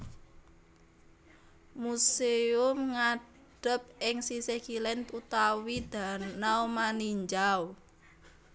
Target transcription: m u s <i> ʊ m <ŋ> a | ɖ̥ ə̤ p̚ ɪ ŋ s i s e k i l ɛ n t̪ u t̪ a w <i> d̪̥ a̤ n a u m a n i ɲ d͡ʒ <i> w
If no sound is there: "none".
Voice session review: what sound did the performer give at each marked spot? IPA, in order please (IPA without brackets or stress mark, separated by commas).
e, ŋ, i, a